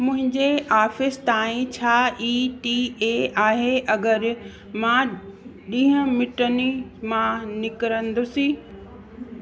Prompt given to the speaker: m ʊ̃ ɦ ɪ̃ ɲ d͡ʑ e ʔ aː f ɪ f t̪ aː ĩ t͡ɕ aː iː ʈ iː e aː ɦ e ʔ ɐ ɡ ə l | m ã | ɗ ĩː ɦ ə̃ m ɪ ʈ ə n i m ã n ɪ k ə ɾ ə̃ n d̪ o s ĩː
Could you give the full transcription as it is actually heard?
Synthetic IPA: m ʊ̃ ɦ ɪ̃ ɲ d͡ʑ e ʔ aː f ɪ s t̪ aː ĩ t͡ɕʰ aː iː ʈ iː e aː ɦ e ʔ ɐ ɡ ə ɾ | m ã | ɗ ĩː ɦ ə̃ m ɪ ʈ ə n i m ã n ɪ k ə ɾ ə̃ n d̪ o s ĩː

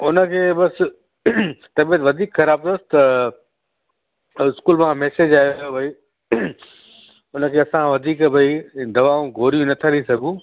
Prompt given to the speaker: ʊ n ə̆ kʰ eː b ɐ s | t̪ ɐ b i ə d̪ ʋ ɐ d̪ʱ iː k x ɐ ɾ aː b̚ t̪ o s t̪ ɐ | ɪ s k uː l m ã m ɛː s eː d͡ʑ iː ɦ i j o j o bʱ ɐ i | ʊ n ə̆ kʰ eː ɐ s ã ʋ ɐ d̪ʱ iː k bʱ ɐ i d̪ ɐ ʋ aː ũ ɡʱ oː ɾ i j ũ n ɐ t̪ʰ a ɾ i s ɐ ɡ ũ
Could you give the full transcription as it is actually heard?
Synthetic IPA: ʊ n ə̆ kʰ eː b ɐ s | t̪ ɐ b i ə t̪ ʋ ɐ d̪ʱ iː k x ɐ ɾ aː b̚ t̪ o s t̪ ɐ | ɪ s k uː l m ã m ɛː s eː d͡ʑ aː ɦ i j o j o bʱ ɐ i | ʊ n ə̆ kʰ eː ɐ s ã ʋ ɐ d̪ʱ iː k bʱ ɐ i d̪ ɐ ʋ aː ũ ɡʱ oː ɾ i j ũ n ɐ t̪ʰ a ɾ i s ɐ ɡ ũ

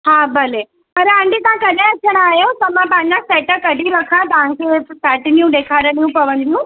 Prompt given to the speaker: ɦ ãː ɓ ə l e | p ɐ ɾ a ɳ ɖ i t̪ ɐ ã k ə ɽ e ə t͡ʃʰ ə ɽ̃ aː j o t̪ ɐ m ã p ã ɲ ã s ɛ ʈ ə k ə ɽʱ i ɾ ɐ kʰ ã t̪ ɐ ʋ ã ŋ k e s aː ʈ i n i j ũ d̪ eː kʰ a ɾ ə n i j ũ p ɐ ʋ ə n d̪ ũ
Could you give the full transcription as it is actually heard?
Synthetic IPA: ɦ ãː b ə l e | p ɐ ɾ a ɳ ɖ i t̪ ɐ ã k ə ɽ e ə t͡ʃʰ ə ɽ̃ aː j o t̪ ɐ m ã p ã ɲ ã s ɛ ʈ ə k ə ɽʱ i ɾ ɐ kʰ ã t̪ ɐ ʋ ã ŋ k e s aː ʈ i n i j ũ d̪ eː kʰ a ɾ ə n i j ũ p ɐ ʋ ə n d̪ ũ

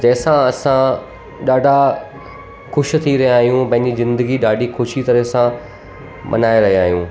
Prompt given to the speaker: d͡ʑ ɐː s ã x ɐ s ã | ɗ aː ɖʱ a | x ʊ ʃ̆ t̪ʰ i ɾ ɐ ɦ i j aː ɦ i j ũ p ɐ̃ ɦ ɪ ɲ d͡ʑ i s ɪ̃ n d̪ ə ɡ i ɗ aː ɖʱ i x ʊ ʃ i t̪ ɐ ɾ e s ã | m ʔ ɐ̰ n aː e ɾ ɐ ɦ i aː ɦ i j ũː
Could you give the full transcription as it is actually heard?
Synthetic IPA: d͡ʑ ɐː s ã ɐ s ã | ɗ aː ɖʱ a | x ʊ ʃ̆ t̪ʰ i ɾ ɐ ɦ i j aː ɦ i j ũ p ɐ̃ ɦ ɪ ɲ d͡ʑ i z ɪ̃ n d̪ ə ɡ i ɗ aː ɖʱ i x ʊ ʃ i t̪ ɐ ɾ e s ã | m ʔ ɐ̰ n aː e ɾ ɐ ɦ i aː ɦ i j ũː

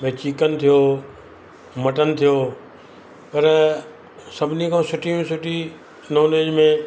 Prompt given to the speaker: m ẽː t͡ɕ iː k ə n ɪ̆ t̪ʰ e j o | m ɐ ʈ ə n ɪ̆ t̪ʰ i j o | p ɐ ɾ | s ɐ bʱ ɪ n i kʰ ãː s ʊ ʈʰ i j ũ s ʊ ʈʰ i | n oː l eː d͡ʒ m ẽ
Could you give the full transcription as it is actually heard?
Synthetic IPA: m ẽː t͡ɕ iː k ə n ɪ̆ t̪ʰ i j o | m ɐ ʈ ə n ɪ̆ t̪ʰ i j o | p ɐ ɾ | s ɐ bʱ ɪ n i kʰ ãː s ʊ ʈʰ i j ũ s ʊ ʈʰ i | n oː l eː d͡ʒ m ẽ

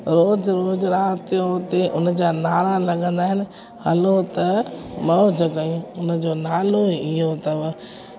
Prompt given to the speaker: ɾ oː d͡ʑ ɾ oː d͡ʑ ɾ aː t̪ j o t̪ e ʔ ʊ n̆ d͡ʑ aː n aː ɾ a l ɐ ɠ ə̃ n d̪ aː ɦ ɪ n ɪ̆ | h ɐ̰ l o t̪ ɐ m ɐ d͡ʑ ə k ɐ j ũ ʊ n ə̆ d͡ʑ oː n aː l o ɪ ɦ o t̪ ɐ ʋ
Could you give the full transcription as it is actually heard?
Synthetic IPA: ɾ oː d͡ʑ ɾ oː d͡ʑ ɾ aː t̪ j o t̪ e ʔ ʊ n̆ d͡ʑ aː n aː ɾ a l ɐ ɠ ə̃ n d̪ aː ɦ ɪ n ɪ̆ | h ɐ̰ l o t̪ ɐ m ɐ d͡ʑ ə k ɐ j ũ ʊ n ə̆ d͡ʑ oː n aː l o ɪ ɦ o t̪ ɐ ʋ

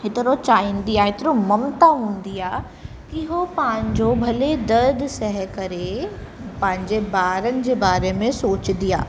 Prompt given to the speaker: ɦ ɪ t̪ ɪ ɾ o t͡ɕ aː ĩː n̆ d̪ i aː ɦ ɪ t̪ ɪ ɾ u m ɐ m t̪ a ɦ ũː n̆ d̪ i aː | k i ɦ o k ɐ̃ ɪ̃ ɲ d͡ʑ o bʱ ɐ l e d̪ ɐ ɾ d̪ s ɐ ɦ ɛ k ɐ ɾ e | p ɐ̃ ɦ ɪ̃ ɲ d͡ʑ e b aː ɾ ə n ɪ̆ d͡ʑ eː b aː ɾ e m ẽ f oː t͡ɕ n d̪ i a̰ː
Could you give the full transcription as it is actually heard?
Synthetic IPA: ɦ ɪ t̪ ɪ ɾ o t͡ɕ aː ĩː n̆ d̪ i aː ɦ ɪ t̪ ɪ ɾ o m ɐ m t̪ a ɦ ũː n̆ d̪ i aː | k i ɦ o p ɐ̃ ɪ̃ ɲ d͡ʑ o bʱ ɐ l e d̪ ɐ ɾ d̪ s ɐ ɦ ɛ k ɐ ɾ e | p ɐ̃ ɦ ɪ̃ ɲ d͡ʑ e b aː ɾ ə n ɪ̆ d͡ʑ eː b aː ɾ e m ẽ s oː t͡ɕ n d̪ i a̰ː

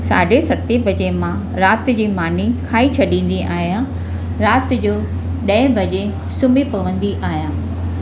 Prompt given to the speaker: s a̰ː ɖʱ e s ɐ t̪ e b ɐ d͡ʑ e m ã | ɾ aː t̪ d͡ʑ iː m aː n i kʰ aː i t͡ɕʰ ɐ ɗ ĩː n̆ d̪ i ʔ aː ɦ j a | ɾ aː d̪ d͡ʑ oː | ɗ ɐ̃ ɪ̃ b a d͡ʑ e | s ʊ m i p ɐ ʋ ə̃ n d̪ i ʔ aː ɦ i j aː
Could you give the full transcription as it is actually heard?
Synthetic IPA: s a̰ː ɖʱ e s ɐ t̪ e b ɐ d͡ʑ e m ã | ɾ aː t̪ d͡ʑ iː m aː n i kʰ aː i t͡ɕʰ ɐ ɗ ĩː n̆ d̪ i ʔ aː ɦ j a | ɾ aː t̪ d͡ʑ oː | ɗ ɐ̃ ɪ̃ b ɐ d͡ʑ e | s ʊ m i p ɐ ʋ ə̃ n d̪ i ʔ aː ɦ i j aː

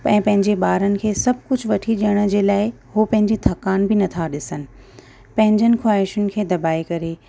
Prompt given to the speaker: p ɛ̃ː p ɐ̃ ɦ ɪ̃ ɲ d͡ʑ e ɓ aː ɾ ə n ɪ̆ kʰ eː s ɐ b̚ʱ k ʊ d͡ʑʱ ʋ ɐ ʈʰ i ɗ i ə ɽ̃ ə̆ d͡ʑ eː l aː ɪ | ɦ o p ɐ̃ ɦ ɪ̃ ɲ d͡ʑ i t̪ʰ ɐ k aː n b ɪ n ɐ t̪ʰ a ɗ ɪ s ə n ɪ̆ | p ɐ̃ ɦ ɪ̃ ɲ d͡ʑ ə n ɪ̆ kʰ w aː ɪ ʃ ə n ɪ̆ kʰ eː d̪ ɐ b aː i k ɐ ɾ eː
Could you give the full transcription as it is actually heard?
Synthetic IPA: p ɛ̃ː p ɐ̃ ɦ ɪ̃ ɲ d͡ʑ e ɓ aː ɾ ə n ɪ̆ kʰ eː s ɐ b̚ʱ k ʊ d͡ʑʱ ʋ ɐ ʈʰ i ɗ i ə ɽ̃ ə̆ d͡ʑ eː l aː ɪ | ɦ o p ɐ̃ ɦ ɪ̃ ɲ d͡ʑ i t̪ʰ ɐ k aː n b ɪ n ɐ t̪ʰ a ɗ ɪ s ə n ɪ̆ | p ɐ̃ ɦ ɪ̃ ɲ d͡ʑ ə n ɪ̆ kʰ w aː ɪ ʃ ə n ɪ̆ kʰ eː d̪ ɐ b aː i k ɐ ɾ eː

